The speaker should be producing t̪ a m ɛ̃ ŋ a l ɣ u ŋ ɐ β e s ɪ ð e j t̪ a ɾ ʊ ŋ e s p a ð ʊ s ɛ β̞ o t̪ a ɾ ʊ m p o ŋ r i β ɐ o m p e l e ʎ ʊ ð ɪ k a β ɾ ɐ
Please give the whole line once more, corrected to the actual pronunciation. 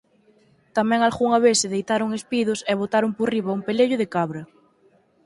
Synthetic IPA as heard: t̪ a m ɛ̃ ŋ a l ɣ u ŋ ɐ β e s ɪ ð e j t̪ a ɾ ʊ ŋ e s p i ð ʊ s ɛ β̞ o t̪ a ɾ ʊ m p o r i β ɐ u m p e l e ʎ ʊ ð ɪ k a β ɾ ɐ